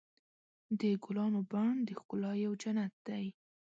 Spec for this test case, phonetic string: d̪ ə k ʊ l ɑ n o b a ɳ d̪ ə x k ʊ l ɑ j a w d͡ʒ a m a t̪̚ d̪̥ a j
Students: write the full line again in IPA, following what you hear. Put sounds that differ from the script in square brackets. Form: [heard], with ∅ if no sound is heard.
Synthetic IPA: d̪ ə [ɡ] ʊ l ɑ n o b a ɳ d̪ ə x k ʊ l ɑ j a w d͡ʒ a [n] a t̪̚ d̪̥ a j